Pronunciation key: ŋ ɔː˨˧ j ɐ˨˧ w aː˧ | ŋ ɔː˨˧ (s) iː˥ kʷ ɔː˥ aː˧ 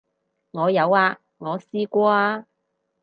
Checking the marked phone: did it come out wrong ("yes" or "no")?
no